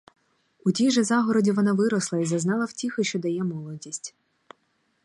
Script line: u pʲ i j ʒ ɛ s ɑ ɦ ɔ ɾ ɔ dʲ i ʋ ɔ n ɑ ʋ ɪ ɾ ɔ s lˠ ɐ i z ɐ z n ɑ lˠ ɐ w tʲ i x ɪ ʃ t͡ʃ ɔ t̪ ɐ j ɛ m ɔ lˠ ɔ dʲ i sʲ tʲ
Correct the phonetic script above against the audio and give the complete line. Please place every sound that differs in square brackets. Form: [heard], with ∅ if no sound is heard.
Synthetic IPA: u [tʲ] i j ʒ ɛ [z] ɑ ɦ ɔ ɾ ɔ dʲ i ʋ ɔ n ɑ ʋ ɪ ɾ ɔ s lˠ ɐ i z ɐ z n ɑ lˠ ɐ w tʲ i x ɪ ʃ t͡ʃ ɔ [d̪] ɐ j ɛ m ɔ lˠ ɔ dʲ i sʲ tʲ